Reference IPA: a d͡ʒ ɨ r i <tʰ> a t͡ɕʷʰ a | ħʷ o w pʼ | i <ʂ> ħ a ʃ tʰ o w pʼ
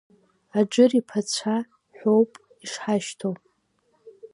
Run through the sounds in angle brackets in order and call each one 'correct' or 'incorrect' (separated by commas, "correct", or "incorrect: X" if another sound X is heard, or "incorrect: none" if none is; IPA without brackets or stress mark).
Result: incorrect: pʰ, correct